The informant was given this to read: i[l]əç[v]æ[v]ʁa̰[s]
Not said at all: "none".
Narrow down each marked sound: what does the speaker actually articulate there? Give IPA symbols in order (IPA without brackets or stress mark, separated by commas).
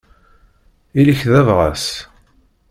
l, ð, v, s